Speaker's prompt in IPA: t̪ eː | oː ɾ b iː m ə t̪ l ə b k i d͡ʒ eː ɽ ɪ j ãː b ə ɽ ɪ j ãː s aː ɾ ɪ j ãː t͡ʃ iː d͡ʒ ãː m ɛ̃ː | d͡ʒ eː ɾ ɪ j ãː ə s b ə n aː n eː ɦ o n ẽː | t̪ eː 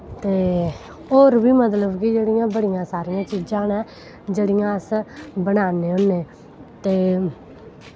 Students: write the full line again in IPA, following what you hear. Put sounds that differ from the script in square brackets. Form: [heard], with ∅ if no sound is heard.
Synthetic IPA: t̪ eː | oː ɾ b iː m ə t̪ l ə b k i d͡ʒ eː ɽ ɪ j ãː b ə ɽ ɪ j ãː s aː ɾ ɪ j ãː t͡ʃ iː d͡ʒ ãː [n] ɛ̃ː | d͡ʒ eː [ɽ] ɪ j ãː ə s b ə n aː n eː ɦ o n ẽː | t̪ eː

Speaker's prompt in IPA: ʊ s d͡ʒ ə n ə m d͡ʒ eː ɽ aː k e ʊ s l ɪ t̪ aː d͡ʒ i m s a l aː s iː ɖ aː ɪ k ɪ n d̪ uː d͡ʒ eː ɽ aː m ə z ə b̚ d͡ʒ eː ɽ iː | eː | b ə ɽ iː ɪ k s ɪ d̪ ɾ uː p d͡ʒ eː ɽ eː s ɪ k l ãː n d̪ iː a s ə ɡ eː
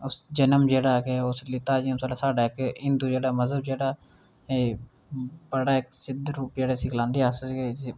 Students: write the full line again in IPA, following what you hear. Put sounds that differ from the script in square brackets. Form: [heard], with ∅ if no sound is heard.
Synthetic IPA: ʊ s d͡ʒ ə n ə m d͡ʒ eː ɽ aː k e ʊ s l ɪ t̪ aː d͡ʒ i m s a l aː s [aː] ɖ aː ɪ k ɪ n d̪ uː d͡ʒ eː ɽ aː m ə z ə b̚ d͡ʒ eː ɽ [aː] | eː | b ə ɽ [aː] ɪ k s ɪ d̪ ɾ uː p d͡ʒ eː ɽ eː s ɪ k l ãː n d̪ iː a s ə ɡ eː

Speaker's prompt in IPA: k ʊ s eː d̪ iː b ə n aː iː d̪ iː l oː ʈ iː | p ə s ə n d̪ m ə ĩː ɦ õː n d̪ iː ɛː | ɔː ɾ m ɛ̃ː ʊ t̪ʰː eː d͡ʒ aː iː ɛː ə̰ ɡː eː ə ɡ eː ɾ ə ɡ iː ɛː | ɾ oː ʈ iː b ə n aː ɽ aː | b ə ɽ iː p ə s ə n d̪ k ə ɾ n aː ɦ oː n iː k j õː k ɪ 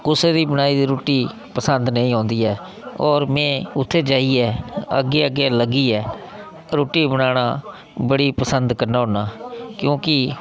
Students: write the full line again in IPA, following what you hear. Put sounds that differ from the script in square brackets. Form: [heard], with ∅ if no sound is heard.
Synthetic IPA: k ʊ s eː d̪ iː b ə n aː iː d̪ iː [ɾ] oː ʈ iː | p ə s ə n d̪ [n] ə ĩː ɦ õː n d̪ iː ɛː | ɔː ɾ m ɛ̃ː ʊ t̪ʰː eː d͡ʒ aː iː ɛː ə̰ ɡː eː ə ɡ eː [l] ə ɡ iː ɛː | ɾ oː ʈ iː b ə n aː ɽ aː | b ə ɽ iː p ə s ə n d̪ k ə ɾ n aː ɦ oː n [aː] k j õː k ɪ

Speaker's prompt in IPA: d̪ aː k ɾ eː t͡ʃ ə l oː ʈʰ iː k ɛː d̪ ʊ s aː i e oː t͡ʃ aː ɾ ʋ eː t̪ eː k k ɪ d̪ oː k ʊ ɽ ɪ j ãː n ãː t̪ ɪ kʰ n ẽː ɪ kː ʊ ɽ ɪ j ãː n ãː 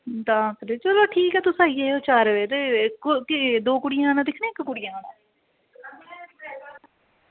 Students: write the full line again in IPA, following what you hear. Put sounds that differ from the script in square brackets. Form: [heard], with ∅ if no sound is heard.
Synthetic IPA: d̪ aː k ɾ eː t͡ʃ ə l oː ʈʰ iː k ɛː [t̪] ʊ s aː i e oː t͡ʃ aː ɾ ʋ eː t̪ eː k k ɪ d̪ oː k ʊ ɽ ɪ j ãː n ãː [d̪] ɪ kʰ n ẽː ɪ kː ʊ ɽ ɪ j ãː n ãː

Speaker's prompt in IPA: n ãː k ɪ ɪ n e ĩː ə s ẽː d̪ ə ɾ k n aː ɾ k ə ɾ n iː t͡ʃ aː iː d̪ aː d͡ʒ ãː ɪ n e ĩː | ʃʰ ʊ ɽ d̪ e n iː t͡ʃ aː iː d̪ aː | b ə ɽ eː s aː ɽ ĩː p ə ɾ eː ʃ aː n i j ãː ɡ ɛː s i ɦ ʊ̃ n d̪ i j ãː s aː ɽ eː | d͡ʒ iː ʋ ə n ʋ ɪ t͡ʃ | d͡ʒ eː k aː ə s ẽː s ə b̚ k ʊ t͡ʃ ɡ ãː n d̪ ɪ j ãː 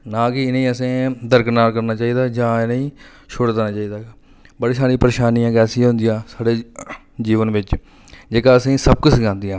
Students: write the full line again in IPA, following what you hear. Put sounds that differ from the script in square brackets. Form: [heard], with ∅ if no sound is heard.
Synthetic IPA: n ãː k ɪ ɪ n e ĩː ə s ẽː d̪ ə ɾ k n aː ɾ k ə ɾ n [aː] t͡ʃ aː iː d̪ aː d͡ʒ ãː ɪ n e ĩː | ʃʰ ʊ ɽ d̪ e n [aː] t͡ʃ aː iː d̪ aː | b ə ɽ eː s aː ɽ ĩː p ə ɾ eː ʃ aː n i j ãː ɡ ɛː s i ɦ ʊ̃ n d̪ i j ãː s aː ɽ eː | d͡ʒ iː ʋ ə n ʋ ɪ t͡ʃ | d͡ʒ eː k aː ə s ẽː s ə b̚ k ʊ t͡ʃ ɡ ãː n d̪ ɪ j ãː

